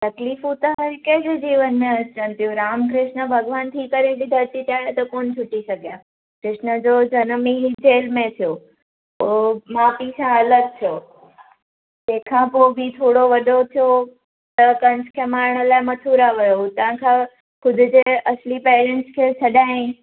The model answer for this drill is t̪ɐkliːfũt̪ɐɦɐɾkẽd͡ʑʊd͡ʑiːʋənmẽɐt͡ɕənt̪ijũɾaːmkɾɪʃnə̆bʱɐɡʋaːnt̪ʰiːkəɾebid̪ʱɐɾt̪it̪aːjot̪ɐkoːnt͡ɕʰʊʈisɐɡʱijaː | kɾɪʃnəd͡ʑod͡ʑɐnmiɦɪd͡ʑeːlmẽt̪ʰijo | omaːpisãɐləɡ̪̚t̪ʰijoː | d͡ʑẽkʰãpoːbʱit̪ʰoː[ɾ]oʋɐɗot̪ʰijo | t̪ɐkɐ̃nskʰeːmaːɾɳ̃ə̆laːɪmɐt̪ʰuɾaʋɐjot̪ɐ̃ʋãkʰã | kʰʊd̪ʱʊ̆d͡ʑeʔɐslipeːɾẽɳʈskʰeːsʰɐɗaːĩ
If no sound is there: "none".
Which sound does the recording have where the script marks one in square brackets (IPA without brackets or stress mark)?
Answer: ɽ